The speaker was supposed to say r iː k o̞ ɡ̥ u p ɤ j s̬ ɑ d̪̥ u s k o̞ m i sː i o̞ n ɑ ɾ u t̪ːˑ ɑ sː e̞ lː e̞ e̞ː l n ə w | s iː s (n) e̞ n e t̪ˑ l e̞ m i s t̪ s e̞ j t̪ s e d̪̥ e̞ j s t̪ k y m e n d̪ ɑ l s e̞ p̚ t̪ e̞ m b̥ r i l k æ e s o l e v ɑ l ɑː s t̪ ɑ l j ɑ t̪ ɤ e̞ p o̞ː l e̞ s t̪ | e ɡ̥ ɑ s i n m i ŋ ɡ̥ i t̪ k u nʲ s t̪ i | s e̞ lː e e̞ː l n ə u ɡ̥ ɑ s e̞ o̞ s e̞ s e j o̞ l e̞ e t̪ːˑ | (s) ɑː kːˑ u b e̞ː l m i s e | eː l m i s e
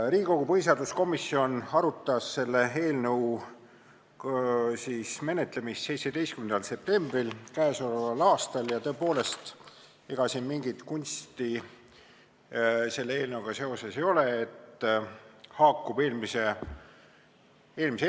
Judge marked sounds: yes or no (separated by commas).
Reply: no, no